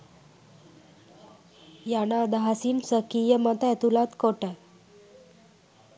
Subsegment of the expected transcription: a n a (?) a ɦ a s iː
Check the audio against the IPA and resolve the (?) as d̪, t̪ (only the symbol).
d̪